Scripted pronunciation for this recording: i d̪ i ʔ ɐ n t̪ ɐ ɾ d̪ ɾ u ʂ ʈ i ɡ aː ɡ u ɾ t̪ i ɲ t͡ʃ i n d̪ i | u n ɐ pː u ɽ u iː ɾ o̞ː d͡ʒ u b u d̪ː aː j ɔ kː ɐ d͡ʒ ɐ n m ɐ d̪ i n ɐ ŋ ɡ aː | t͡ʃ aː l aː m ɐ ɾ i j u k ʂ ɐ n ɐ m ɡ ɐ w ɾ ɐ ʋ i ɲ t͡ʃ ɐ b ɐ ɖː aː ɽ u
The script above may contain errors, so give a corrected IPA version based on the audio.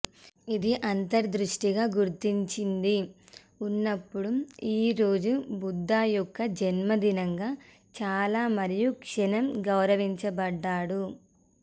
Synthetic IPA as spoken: i d̪ i ʔ ɐ n t̪ ɐ ɾ d̪ ɾ u ʂ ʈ i ɡ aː ɡ u ɾ t̪ i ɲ t͡ʃ i n d̪ i | u nː ɐ pː u ɽ u iː ɾ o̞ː d͡ʒ u b u d̪ː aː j ɔ kː ɐ d͡ʒ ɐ n m ɐ d̪ i n ɐ ŋ ɡ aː | t͡ʃ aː l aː m ɐ ɾ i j u k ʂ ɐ n ɐ m ɡ ɐ w ɾ ɐ ʋ i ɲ t͡ʃ ɐ b ɐ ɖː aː ɽ u